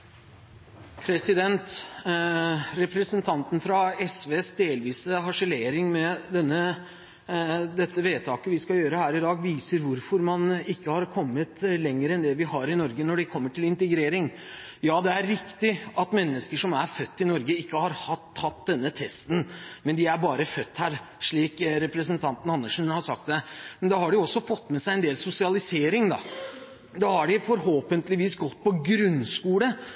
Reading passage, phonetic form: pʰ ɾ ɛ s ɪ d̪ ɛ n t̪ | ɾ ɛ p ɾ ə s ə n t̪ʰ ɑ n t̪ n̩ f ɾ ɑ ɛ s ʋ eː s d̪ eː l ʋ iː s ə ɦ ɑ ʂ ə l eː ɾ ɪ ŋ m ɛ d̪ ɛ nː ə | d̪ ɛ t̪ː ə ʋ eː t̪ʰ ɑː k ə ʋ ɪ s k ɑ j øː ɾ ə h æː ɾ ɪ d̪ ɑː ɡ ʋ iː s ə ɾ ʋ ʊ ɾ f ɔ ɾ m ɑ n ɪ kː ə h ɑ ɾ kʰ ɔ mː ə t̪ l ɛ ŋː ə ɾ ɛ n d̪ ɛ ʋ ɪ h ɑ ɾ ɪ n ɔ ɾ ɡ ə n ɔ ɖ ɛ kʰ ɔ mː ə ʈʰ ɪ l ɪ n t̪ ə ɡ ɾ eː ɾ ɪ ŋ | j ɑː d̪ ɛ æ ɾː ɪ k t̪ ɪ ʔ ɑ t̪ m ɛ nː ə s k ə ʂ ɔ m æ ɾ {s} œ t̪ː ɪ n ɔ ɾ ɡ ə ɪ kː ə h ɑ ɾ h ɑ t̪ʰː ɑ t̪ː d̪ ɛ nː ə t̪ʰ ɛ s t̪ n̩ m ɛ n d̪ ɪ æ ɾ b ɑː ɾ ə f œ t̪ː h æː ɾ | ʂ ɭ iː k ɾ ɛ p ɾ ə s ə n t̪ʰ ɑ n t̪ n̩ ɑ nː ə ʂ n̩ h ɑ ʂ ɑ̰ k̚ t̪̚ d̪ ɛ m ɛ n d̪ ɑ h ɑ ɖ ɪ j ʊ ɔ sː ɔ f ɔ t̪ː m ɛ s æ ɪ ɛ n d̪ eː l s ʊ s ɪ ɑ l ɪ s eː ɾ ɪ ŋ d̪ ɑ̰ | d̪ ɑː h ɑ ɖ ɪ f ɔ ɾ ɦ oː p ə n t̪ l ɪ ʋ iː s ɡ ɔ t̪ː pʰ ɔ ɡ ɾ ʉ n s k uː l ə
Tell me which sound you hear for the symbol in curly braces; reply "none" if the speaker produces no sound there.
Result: f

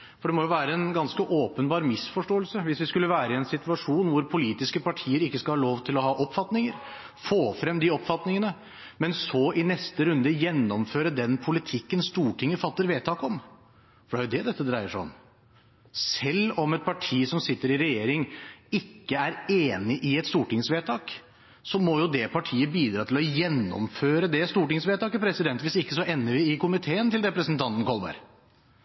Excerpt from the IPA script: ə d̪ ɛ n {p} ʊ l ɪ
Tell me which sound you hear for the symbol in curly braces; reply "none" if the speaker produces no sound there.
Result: pʰ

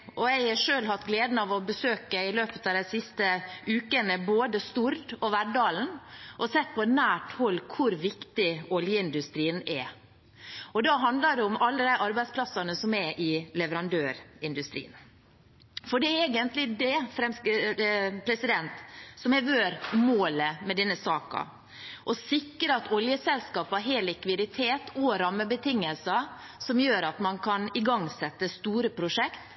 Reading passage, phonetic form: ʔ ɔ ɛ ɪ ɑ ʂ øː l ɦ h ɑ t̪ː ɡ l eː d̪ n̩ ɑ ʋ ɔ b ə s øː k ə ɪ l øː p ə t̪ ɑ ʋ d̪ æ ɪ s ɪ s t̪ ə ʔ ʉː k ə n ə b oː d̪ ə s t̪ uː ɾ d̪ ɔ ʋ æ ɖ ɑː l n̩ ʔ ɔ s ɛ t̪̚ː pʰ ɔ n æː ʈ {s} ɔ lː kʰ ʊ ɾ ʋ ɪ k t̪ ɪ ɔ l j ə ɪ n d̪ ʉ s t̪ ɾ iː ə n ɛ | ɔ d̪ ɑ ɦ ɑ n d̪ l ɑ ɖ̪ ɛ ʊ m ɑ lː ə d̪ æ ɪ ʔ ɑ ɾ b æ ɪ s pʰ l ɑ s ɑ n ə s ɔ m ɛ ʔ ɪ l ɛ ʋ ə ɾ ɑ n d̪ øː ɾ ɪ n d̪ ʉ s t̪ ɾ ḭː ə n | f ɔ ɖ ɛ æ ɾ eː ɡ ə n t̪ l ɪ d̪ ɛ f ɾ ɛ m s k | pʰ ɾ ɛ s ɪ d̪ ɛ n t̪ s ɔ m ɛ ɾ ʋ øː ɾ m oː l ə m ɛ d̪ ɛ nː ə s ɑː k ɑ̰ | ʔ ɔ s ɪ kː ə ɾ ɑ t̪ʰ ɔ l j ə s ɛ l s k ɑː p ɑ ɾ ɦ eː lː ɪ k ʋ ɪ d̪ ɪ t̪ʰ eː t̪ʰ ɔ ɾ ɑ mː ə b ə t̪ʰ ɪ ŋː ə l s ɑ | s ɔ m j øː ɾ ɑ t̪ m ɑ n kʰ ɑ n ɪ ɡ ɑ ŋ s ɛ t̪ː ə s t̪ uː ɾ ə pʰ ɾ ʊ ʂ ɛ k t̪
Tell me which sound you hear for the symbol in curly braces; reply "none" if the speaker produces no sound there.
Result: h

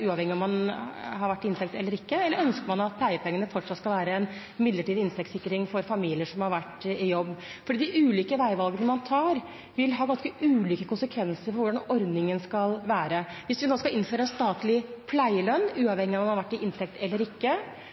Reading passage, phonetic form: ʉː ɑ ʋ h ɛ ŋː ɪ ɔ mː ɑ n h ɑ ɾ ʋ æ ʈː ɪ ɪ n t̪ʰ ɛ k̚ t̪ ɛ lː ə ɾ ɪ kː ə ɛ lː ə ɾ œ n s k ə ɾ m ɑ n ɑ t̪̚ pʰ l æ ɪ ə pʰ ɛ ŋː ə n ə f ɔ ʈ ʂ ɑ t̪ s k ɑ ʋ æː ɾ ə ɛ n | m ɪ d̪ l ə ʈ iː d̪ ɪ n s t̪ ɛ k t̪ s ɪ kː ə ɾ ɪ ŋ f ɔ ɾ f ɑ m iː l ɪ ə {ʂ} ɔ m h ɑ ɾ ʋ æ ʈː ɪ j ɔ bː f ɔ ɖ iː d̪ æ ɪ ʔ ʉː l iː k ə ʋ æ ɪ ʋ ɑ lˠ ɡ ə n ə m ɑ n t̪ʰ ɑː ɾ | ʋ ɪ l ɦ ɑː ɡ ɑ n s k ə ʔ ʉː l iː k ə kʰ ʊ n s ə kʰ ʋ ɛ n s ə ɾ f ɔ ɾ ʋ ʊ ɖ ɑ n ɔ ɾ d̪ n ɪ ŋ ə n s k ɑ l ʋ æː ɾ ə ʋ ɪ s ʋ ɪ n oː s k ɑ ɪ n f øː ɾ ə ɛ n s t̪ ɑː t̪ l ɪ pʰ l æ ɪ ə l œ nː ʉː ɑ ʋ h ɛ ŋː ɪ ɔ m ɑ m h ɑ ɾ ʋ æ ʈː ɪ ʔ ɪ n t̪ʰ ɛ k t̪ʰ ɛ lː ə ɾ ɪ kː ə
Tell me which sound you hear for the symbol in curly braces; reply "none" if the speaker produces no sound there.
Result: ʂ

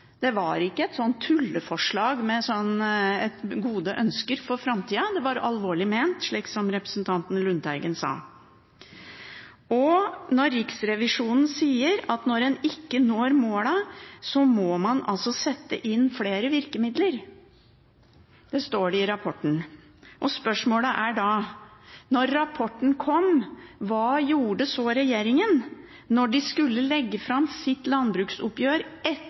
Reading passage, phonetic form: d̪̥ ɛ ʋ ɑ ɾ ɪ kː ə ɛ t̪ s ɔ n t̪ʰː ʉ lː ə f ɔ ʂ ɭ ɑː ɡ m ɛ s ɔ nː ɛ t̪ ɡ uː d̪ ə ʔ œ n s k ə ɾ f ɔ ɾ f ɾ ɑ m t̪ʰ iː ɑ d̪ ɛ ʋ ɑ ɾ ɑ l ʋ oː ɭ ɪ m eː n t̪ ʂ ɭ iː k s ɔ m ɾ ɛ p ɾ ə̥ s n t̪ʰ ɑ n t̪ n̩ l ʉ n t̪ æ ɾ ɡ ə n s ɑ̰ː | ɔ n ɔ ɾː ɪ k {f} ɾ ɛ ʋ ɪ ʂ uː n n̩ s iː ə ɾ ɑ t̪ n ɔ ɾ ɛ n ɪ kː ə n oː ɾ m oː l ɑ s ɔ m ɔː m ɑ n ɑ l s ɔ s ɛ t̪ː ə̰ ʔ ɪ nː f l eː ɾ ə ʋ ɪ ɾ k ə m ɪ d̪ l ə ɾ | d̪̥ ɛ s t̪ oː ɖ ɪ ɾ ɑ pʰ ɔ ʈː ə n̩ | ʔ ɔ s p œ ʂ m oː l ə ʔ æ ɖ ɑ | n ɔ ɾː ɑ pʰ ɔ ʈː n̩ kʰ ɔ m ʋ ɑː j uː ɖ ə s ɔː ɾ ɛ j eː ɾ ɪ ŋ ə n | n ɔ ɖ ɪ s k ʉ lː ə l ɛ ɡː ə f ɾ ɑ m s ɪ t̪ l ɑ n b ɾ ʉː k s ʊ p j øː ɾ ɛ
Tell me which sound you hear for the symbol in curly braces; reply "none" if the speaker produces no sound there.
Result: s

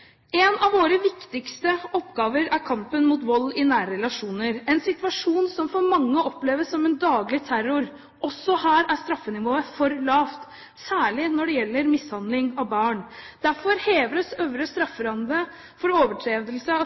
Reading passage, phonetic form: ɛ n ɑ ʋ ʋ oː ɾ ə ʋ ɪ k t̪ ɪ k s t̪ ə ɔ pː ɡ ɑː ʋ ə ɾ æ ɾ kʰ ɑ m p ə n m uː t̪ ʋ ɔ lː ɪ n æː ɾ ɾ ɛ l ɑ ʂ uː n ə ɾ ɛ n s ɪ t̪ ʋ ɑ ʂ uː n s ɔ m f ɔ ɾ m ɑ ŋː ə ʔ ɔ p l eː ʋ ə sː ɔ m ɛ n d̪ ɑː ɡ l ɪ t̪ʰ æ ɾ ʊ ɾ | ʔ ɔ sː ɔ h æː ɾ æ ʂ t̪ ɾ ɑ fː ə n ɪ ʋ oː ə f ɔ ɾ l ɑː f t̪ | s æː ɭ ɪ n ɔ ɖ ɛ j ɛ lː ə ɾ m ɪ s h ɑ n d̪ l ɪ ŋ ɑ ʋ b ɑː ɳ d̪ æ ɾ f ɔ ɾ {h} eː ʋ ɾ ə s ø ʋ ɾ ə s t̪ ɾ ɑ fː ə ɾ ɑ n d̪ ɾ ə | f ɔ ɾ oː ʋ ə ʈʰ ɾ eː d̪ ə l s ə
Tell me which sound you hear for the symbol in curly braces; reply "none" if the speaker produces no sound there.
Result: h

